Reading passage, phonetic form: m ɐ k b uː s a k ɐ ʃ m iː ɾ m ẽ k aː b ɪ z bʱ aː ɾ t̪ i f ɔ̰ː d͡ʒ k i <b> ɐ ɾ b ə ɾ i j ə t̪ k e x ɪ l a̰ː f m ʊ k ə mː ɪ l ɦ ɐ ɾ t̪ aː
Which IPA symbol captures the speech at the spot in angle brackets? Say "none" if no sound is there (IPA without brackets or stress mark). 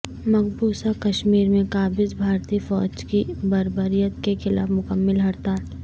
b